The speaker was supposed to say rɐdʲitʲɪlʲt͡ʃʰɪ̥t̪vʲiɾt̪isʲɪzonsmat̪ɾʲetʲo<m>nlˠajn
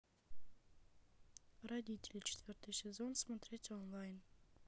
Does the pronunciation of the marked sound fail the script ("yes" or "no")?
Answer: yes